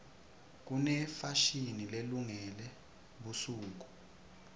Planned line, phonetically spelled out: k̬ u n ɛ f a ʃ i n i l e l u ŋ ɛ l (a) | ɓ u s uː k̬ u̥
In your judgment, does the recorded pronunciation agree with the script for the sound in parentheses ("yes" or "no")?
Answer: no